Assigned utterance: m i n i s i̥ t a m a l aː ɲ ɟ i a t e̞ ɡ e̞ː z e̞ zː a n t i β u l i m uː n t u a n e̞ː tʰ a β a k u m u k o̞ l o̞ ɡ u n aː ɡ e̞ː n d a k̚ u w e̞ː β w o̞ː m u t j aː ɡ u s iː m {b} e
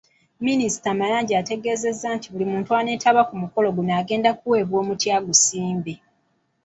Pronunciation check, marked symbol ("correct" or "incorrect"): correct